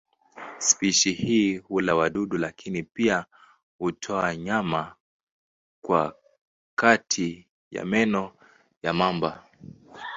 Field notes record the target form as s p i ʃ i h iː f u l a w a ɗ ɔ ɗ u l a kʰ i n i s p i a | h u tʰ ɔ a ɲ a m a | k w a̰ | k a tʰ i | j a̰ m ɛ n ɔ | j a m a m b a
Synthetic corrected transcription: s p i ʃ i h iː h u l a w a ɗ u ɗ u l a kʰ i n i p i a | h u tʰ ɔ a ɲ a m a | k w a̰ | k a tʰ i | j a̰ m ɛ n ɔ | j a m a m b a